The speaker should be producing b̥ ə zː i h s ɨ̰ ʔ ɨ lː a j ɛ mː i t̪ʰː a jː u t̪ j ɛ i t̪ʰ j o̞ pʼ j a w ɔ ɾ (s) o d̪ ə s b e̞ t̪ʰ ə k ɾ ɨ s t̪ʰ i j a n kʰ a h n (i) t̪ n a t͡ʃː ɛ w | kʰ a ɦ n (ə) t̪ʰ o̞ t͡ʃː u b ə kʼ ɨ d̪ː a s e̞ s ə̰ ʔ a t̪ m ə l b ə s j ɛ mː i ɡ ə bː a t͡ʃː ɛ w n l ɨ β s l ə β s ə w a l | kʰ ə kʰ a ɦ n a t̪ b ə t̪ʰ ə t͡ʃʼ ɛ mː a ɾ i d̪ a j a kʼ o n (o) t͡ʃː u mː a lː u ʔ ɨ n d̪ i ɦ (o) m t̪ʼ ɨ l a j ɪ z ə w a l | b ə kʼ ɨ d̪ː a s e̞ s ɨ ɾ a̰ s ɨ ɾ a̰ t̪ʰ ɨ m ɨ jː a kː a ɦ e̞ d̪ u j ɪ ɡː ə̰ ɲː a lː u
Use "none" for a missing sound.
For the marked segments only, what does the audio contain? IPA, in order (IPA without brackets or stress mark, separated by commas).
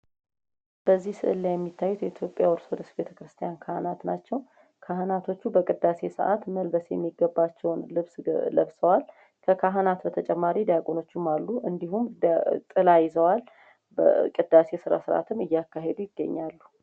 s, a, a, o, u